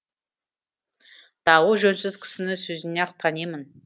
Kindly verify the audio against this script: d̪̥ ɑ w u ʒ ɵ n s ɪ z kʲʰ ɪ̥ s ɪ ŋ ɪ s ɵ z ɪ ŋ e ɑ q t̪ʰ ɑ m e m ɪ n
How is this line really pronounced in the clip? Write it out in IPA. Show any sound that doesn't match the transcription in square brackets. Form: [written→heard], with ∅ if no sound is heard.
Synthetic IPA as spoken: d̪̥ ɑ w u ʒ ɵ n s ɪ z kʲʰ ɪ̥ s ɪ [ŋ→n] ɪ s ɵ z ɪ [ŋ→n] e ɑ q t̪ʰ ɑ [m→n] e m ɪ n